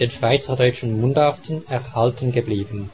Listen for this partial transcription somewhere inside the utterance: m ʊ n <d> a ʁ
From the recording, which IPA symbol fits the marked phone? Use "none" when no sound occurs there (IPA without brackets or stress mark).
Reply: d